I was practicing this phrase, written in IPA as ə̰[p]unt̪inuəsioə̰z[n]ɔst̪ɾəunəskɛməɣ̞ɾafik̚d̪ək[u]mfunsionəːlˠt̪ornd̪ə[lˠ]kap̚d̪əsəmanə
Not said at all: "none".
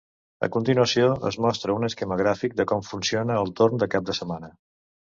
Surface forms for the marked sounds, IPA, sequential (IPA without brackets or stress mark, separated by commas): k, m, ɔ, none